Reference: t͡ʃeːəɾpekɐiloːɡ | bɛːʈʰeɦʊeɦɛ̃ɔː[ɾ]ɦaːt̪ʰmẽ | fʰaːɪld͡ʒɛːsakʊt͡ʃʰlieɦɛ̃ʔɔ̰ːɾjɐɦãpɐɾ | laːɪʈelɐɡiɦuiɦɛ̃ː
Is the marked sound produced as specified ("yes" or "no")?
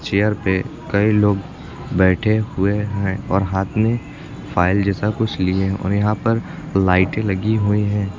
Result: yes